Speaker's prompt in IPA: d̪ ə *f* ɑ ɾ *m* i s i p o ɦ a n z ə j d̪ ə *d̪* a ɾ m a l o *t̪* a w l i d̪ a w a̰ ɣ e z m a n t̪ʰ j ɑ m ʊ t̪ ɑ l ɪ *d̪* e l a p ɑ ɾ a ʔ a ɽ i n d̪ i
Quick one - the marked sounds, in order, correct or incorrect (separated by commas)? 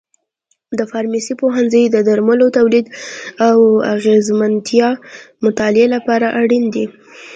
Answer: correct, correct, correct, correct, incorrect